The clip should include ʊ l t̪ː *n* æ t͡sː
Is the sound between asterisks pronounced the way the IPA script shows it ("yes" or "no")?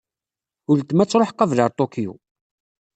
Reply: no